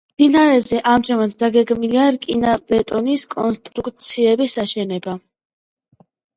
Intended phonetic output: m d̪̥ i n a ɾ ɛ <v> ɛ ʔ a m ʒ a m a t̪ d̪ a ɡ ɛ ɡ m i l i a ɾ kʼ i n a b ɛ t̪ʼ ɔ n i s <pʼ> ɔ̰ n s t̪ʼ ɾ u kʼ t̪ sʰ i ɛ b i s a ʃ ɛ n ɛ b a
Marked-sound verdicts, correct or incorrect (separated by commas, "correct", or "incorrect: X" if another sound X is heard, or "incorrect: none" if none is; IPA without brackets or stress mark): incorrect: z, incorrect: kʼ